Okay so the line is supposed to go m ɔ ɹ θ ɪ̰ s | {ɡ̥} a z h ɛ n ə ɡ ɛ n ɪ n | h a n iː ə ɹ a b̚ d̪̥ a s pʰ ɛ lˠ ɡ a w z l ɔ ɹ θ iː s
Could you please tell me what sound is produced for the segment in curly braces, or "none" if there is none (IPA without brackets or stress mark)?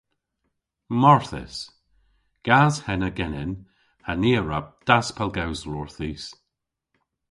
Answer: ɡ̥